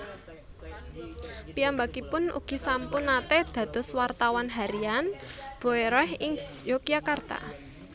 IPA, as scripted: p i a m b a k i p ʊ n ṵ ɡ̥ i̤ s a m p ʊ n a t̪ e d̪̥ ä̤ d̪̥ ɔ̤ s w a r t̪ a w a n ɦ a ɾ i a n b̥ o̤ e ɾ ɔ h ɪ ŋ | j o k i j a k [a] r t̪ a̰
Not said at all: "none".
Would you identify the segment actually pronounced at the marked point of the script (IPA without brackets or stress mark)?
a